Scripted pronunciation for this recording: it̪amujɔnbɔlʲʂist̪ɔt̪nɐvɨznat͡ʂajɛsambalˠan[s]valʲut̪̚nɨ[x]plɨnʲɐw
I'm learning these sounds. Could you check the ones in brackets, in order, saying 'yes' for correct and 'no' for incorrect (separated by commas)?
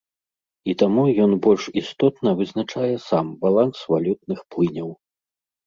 yes, yes